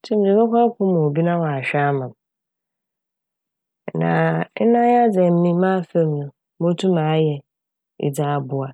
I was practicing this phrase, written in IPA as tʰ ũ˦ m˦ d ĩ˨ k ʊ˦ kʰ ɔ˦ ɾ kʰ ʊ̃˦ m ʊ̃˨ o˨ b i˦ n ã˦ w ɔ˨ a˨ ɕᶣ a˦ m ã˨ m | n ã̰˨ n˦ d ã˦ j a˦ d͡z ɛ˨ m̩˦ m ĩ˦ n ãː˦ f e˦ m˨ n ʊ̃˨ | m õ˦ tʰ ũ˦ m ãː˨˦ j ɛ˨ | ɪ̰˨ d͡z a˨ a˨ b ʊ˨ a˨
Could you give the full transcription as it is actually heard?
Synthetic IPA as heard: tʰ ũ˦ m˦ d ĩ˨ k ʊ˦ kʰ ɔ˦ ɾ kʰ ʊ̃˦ m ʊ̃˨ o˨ b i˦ n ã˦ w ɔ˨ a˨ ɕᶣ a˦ m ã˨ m | n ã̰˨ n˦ n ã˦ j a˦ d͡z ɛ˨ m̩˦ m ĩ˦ m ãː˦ f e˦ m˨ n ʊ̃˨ | m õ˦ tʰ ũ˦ m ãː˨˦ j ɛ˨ | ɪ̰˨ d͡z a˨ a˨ b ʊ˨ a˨